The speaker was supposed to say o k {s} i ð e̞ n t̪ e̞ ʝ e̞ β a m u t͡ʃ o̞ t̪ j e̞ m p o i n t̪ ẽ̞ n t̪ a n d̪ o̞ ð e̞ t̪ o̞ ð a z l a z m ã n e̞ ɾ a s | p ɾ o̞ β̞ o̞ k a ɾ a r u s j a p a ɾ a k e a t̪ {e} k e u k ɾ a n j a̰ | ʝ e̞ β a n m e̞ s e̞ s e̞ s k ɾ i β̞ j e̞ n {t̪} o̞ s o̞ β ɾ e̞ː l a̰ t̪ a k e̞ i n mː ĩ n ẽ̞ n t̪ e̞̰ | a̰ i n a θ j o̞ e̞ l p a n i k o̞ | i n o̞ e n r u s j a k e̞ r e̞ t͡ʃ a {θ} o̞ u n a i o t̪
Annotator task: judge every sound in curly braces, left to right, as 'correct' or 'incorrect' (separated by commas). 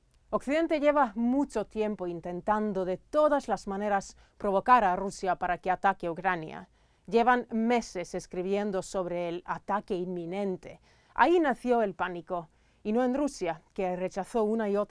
incorrect, incorrect, incorrect, correct